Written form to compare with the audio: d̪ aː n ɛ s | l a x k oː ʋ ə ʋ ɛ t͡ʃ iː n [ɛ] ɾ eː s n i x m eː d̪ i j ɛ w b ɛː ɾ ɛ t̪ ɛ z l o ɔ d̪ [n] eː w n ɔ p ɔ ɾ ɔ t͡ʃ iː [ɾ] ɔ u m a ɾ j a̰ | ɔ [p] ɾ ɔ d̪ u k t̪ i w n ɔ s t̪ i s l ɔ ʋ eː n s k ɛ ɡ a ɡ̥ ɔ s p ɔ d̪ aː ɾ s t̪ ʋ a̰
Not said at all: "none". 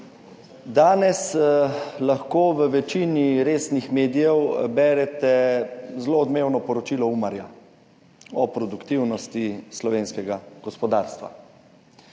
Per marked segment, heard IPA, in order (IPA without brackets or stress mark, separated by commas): i, m, l, p